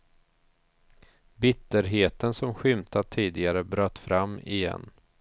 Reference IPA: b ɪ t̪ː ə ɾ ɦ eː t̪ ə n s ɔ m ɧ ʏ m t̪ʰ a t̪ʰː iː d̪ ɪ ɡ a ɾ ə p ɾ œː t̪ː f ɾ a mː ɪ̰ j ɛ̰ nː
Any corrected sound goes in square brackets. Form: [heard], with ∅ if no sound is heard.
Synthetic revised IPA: b ɪ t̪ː ə ɾ ɦ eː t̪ ə n s ɔ m ɧ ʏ m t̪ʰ a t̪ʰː iː d̪ ɪ ɡ a ɾ ə [b] ɾ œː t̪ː f ɾ a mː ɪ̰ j ɛ̰ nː